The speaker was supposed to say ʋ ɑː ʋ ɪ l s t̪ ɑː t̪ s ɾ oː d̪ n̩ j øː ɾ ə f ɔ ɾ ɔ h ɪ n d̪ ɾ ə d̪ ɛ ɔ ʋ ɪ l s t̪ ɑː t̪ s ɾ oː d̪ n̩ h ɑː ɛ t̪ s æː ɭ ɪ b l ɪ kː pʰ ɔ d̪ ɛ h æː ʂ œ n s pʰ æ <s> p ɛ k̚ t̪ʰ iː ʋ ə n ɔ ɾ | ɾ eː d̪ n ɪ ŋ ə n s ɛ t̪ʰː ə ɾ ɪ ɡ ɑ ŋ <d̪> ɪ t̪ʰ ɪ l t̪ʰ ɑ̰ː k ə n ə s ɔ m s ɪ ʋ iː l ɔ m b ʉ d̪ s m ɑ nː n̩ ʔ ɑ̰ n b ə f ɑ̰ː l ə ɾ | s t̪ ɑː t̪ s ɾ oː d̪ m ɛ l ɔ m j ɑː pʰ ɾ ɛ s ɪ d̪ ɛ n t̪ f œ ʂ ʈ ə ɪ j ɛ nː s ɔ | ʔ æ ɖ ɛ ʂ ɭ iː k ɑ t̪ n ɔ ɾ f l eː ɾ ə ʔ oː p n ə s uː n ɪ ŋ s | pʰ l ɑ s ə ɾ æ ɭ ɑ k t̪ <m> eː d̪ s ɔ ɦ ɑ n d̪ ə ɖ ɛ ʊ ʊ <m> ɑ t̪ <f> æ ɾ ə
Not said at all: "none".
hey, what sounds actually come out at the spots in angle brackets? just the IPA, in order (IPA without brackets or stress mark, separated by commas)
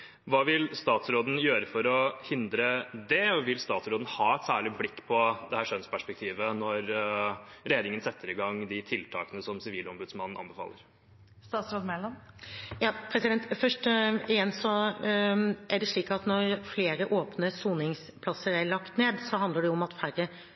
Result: ʂ, d̪, n, m, f